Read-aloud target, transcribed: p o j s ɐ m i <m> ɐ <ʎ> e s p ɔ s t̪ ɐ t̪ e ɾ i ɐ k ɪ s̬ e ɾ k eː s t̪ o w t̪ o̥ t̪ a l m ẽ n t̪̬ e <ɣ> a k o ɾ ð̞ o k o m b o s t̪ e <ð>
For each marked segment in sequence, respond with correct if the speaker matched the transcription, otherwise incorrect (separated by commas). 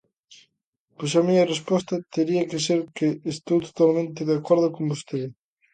incorrect, incorrect, incorrect, correct